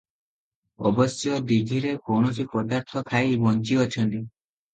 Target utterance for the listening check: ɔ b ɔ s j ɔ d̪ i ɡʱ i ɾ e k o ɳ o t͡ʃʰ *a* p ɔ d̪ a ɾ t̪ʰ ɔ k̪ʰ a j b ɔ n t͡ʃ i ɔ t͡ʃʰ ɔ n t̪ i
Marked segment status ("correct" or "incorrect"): incorrect